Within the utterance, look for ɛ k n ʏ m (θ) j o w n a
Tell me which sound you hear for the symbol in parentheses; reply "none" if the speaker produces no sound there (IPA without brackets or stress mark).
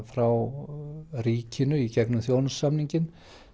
θ